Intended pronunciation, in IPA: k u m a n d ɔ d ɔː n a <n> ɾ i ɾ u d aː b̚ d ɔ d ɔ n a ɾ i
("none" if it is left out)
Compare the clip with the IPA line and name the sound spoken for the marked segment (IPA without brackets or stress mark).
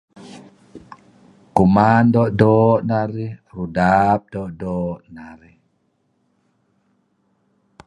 none